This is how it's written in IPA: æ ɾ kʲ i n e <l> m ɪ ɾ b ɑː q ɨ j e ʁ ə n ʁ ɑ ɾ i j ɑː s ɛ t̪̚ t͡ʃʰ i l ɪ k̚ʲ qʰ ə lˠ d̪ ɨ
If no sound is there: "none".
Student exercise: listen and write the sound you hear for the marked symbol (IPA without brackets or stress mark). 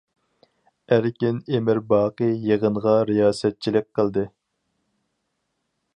none